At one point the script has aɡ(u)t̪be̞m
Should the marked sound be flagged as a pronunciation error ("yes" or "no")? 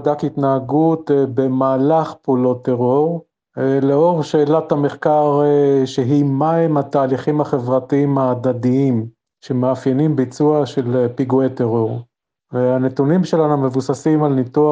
no